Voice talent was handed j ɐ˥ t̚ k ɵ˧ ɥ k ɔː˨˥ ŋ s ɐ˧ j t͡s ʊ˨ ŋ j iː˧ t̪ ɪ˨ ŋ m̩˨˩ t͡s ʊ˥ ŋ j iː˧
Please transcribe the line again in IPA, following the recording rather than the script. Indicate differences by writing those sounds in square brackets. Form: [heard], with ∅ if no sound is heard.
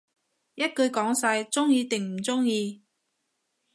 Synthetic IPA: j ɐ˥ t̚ k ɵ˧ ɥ k ɔː˨˥ ŋ s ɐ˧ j t͡s [ʊ˥] ŋ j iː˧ t̪ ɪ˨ ŋ m̩˨˩ t͡s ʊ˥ ŋ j iː˧